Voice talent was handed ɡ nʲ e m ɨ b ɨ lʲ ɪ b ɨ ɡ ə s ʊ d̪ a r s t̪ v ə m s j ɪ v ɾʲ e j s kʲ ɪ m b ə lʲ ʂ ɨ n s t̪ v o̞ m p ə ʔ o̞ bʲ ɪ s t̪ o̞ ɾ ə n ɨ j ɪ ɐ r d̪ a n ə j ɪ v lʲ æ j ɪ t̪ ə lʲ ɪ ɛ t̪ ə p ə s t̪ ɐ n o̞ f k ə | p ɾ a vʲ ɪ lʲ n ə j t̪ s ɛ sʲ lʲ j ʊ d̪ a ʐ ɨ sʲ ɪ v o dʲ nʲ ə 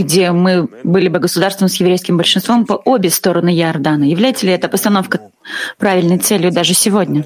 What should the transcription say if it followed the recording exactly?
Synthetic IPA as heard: ɡ dʲ e m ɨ b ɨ lʲ ɪ b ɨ ɡ ə s ʊ d̪ a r s t̪ v ə m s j ɪ v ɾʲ e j s kʲ ɪ m b ə lʲ ʂ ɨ n s t̪ v o̞ m p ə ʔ o̞ bʲ ɪ s t̪ o̞ ɾ ə n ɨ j ɪ ɐ r d̪ a n ə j ɪ v lʲ æ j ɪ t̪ ə lʲ ɪ ɛ t̪ ə p ə s t̪ ɐ n o̞ f k ə | p ɾ a vʲ ɪ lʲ n ə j t̪ s ɛ lʲ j ʊ d̪ a ʐ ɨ sʲ ɪ v o dʲ nʲ ə